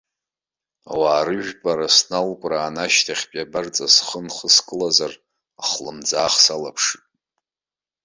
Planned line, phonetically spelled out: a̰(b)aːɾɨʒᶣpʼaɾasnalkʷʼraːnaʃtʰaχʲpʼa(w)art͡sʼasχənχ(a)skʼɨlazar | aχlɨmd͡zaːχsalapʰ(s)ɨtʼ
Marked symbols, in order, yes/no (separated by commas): no, no, no, no